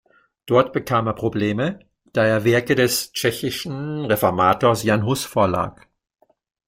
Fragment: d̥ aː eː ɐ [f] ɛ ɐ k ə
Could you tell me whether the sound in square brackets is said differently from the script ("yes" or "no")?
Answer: yes